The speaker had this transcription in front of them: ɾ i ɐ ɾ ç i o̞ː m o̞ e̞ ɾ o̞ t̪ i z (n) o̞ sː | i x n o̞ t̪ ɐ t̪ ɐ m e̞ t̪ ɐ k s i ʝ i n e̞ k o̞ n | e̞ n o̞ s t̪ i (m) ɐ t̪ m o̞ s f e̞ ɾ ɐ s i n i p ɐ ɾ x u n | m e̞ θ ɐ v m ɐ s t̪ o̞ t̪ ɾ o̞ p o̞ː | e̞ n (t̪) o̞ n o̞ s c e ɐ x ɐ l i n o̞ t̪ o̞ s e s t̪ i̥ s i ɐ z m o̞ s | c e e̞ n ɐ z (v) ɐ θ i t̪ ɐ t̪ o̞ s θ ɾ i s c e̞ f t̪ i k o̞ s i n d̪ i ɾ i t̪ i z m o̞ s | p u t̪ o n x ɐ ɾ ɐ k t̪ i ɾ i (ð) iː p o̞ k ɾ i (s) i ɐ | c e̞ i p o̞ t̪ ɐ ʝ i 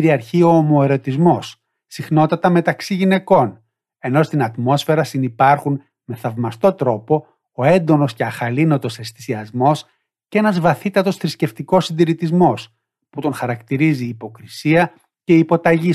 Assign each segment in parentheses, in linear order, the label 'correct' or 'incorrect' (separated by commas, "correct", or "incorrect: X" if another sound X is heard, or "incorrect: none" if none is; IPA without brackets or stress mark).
incorrect: m, incorrect: n, incorrect: d̪, correct, incorrect: z, correct